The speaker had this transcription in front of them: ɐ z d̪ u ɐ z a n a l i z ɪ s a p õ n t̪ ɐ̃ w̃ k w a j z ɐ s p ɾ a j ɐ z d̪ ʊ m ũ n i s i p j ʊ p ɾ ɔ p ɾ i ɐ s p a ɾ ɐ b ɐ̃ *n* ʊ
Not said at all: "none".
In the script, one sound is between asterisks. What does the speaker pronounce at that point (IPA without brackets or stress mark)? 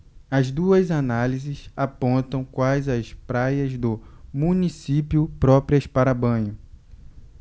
ɲ